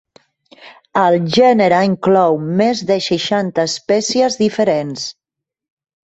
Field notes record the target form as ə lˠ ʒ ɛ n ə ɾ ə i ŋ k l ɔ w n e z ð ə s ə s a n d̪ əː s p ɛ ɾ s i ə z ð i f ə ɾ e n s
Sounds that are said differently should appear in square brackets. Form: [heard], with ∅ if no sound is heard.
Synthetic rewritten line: ə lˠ ʒ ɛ n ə ɾ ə i ŋ k l ɔ w [m] e z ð ə [ʃ] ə [ʃ] a n [t̪] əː s p ɛ [∅] s i ə z ð i f ə ɾ e n s